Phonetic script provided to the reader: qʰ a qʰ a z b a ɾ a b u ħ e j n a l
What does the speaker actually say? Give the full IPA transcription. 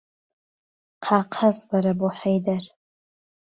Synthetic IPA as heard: qʰ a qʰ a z b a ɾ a b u ħ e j d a r